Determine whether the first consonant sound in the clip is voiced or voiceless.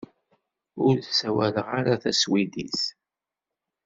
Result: voiced